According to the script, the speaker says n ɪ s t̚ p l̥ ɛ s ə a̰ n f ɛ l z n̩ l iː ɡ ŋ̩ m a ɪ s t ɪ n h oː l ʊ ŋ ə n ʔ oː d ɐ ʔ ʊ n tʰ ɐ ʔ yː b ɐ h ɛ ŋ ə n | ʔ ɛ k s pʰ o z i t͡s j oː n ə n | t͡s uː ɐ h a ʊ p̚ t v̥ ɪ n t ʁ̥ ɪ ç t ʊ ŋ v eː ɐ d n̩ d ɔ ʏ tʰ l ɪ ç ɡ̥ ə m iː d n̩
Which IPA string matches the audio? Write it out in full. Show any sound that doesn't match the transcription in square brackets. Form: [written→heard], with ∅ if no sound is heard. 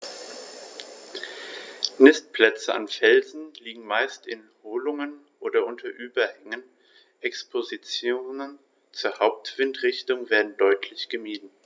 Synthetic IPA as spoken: n ɪ s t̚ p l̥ ɛ [s→t͡s] ə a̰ n f ɛ l z n̩ l iː ɡ ŋ̩ m a ɪ s t ɪ n h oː l ʊ ŋ ə n ʔ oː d ɐ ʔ ʊ n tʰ ɐ ʔ yː b ɐ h ɛ ŋ ə n | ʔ ɛ k s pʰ o z i t͡s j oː n ə n | t͡s uː ɐ h a ʊ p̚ t v̥ ɪ n t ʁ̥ ɪ ç t ʊ ŋ v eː ɐ d n̩ d ɔ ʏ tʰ l ɪ ç ɡ̥ ə m iː d n̩